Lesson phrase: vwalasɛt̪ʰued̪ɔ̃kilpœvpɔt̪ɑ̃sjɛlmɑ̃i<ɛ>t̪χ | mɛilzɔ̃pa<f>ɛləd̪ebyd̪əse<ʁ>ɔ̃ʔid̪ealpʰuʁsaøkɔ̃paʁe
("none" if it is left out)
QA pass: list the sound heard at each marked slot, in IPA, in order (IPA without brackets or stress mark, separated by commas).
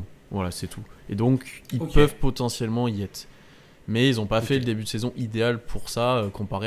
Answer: ɛ, f, z